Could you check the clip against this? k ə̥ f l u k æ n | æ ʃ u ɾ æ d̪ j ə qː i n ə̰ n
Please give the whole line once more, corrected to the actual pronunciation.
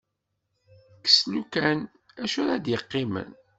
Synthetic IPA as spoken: k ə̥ s l u k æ n | æ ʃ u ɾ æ d̪ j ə qː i m ə̰ n